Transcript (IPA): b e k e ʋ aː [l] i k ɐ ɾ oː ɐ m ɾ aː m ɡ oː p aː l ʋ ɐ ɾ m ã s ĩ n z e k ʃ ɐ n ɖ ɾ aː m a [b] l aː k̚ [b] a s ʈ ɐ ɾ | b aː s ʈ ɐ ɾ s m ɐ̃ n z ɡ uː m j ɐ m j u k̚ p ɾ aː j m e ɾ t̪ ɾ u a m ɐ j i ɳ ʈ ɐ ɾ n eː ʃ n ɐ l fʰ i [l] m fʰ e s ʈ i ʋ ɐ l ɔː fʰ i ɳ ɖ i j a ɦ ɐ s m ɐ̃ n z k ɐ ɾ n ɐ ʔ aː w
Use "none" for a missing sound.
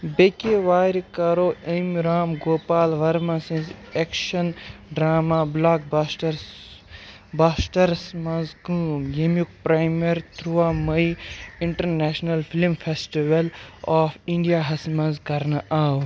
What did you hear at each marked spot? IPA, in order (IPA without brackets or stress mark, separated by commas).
ɾ, b, b, l